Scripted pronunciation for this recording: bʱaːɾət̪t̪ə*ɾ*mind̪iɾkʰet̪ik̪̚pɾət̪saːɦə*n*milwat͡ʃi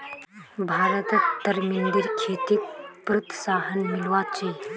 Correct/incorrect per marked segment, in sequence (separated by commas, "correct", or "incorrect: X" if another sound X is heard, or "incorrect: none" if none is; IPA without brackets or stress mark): correct, correct